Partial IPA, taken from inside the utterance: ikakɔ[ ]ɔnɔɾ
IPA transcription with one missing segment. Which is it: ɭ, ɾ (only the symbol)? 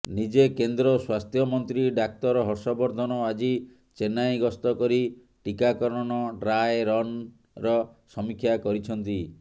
ɾ